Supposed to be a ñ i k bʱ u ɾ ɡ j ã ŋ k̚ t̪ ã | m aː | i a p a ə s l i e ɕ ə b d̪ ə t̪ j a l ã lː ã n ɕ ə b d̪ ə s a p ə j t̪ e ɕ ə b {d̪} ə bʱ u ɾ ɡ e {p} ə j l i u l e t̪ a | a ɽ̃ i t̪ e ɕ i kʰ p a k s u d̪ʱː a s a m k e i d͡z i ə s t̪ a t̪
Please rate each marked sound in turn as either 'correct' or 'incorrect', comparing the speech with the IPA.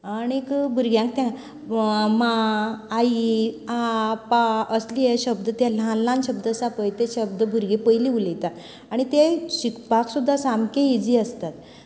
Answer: correct, correct

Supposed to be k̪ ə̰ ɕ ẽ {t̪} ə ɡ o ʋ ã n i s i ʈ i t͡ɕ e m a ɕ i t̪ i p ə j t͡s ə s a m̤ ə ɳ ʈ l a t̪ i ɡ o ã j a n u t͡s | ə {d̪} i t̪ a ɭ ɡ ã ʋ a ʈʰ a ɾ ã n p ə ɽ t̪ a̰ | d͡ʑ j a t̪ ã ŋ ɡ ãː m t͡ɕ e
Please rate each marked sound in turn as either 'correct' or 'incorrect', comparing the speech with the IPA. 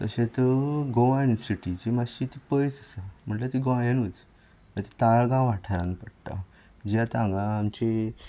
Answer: correct, incorrect: t̪

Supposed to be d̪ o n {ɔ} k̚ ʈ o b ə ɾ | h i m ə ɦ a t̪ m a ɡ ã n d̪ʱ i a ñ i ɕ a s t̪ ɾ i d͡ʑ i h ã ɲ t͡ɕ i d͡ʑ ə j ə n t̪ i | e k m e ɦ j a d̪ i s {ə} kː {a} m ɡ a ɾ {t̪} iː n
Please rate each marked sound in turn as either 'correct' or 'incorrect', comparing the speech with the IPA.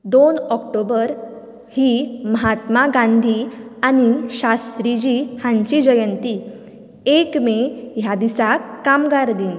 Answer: correct, incorrect: a, correct, incorrect: d̪

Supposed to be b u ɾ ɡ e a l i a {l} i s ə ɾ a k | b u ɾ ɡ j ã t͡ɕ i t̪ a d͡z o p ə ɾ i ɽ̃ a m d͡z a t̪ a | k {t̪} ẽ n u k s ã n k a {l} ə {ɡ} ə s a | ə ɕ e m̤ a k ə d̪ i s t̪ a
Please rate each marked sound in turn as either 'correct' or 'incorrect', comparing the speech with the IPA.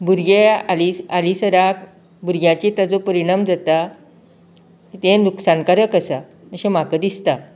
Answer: correct, correct, incorrect: ɾ, incorrect: k

